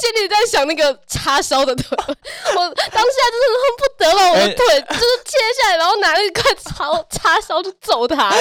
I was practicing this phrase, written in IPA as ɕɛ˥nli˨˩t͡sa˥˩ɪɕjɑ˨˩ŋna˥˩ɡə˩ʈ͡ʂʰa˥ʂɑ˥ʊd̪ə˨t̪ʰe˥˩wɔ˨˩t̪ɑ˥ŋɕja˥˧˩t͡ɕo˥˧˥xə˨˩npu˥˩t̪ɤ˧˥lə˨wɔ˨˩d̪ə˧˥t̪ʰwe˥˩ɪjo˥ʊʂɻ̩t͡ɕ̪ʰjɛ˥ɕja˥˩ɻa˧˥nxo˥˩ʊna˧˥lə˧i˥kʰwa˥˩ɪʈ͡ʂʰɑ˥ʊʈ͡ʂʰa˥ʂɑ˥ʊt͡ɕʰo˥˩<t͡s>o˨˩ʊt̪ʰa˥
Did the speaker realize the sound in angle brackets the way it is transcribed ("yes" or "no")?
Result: yes